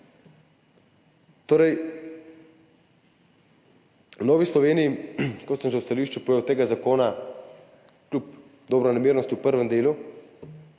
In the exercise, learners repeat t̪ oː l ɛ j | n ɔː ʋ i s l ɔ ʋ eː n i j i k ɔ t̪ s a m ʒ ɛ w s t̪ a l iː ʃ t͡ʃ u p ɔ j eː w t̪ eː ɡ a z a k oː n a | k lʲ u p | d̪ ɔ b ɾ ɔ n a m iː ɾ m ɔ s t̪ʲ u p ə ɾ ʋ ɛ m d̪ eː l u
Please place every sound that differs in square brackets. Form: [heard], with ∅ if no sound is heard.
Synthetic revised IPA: t̪ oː [ɾ] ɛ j | n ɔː ʋ i s l ɔ ʋ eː n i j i k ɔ t̪ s [ə] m ʒ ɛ w s t̪ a l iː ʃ t͡ʃ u p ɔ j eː w t̪ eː ɡ a z a k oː n a | k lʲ u p | d̪ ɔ b ɾ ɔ n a m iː ɾ [n] ɔ s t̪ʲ u p ə ɾ ʋ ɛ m d̪ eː l u